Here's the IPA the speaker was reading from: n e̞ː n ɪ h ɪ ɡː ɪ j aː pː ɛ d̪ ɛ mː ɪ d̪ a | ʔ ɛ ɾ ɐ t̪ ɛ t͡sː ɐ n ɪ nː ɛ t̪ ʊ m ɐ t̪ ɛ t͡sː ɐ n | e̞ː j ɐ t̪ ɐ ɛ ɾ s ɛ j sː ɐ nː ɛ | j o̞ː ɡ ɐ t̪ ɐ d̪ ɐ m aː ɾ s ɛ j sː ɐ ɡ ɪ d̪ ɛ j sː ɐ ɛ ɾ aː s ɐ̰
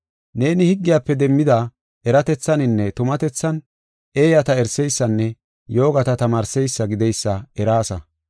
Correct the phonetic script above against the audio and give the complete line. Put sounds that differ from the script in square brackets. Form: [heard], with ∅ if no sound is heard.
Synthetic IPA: n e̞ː n ɪ h ɪ ɡː ɪ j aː pː ɛ d̪ ɛ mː ɪ d̪ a | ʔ ɛ ɾ ɐ t̪ ɛ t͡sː ɐ n ɪ nː ɛ t̪ ʊ m ɐ t̪ ɛ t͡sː ɐ n | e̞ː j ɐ t̪ ɐ ɛ ɾ s ɛ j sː ɐ nː ɛ | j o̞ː ɡ ɐ t̪ ɐ [t̪] ɐ m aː ɾ s ɛ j sː ɐ ɡ ɪ d̪ ɛ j sː ɐ ɛ ɾ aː s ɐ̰